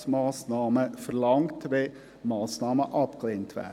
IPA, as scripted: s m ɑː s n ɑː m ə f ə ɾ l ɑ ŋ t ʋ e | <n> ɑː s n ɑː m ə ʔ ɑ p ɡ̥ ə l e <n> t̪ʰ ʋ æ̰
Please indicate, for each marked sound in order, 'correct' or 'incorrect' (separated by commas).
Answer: incorrect, correct